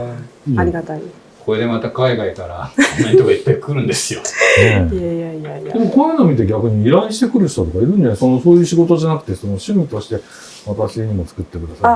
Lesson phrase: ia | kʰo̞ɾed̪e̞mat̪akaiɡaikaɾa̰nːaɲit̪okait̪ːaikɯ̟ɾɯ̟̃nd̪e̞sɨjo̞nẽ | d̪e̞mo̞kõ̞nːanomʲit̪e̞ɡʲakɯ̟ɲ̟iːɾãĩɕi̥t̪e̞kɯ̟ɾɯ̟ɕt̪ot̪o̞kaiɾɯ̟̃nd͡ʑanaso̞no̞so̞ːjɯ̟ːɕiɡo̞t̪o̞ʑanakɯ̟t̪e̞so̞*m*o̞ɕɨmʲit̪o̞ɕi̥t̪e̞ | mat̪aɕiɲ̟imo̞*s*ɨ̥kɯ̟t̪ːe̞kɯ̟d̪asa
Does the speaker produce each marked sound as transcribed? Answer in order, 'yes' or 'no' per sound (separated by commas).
no, no